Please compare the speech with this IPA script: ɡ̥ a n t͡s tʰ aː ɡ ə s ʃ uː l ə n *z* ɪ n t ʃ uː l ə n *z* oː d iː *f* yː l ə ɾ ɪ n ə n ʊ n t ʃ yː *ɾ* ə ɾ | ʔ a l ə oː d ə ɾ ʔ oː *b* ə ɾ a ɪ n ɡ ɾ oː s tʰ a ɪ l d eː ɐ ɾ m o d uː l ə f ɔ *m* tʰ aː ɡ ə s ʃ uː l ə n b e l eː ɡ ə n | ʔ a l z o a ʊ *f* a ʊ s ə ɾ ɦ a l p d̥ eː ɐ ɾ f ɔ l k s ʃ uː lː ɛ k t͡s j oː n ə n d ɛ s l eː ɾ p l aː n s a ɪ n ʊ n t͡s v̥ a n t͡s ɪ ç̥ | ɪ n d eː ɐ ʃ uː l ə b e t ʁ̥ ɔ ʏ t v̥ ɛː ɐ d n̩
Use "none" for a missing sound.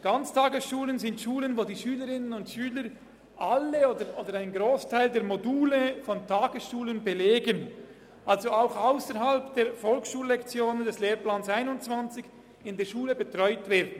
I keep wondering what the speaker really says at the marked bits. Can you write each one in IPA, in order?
z, v, ʃ, l, d, n, x

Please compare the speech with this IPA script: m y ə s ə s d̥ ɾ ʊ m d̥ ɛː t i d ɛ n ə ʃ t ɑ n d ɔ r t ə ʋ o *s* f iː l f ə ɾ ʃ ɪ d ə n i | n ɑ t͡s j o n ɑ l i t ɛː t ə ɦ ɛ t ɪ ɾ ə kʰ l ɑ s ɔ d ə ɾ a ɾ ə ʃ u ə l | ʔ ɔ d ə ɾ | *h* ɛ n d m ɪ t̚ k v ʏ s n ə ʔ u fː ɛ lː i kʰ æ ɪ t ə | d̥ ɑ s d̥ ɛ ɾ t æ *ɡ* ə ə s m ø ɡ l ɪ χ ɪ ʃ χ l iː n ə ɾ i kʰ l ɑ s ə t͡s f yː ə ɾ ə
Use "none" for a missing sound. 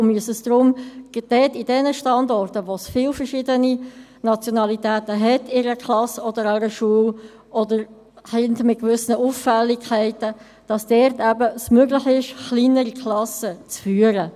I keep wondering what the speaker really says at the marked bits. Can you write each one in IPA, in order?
s, h, b

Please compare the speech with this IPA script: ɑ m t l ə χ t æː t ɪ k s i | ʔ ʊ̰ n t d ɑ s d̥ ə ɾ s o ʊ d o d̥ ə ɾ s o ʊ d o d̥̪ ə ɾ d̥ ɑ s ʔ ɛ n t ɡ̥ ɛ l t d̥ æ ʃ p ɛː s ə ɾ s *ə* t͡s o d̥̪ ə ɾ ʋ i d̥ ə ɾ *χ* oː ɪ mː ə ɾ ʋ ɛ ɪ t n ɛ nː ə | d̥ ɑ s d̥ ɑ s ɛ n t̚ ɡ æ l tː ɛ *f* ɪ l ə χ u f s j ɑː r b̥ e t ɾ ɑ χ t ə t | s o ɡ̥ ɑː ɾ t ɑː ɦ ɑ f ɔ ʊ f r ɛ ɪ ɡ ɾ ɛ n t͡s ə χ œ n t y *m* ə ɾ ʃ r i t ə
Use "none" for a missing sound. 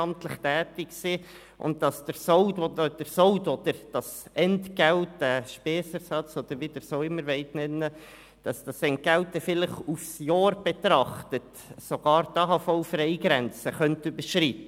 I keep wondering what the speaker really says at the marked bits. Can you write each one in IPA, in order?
ɑ, s, f, b

